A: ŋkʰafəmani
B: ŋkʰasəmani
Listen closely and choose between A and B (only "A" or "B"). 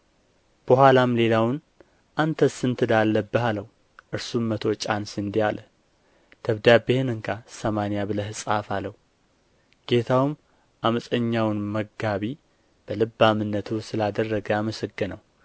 B